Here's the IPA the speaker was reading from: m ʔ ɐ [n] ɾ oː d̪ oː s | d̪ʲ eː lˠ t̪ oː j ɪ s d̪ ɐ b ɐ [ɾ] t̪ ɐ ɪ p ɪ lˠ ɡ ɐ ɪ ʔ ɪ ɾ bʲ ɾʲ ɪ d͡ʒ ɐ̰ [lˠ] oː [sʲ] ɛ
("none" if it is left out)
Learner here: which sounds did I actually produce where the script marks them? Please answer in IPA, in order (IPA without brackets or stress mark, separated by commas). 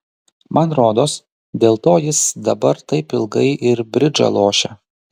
n, ɾ, lˠ, ʃʲ